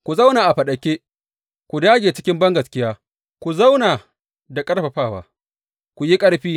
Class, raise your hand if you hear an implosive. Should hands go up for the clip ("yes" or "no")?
yes